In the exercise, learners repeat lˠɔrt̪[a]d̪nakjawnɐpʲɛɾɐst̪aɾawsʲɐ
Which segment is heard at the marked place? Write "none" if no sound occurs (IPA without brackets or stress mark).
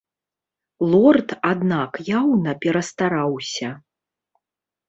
a